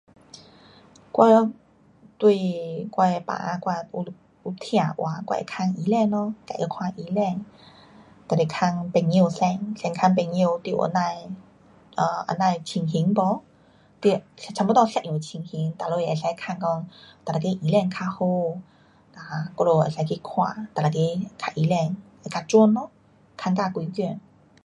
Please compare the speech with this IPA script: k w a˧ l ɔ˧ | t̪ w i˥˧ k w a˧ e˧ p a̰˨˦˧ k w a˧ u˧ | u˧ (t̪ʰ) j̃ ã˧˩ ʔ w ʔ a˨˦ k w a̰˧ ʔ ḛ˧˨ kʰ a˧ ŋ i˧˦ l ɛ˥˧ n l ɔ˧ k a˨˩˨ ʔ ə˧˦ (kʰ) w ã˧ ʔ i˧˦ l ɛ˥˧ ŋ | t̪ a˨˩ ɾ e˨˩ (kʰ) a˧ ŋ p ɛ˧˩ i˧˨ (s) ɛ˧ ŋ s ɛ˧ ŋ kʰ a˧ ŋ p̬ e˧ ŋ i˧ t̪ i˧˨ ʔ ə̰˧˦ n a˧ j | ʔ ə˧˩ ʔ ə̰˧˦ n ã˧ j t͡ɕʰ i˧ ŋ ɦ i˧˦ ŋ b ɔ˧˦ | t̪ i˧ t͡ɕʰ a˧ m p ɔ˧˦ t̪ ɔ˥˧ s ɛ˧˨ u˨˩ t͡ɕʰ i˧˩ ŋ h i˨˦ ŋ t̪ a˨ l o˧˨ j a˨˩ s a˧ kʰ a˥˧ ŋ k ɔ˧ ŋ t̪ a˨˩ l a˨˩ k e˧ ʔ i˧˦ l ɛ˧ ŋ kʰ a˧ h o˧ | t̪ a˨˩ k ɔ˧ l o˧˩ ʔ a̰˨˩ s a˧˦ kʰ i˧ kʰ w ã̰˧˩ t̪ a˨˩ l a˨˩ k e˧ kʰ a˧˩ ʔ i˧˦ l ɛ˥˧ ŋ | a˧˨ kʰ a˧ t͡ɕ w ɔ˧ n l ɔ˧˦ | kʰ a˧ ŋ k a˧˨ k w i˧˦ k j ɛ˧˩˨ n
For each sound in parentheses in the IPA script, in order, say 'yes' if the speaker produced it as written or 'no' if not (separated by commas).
yes, yes, yes, yes